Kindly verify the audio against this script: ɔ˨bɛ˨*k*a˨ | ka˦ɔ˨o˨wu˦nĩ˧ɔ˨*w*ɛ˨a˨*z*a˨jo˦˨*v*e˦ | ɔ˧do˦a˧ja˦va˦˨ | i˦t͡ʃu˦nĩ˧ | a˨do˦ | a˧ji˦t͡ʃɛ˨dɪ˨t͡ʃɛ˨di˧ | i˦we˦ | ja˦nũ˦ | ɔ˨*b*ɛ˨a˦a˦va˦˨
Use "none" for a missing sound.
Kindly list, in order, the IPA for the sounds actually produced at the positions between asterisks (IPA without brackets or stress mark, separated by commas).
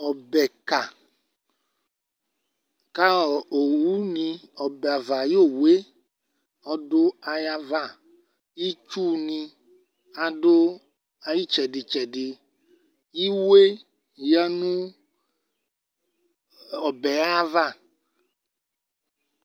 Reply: k, b, v, w, b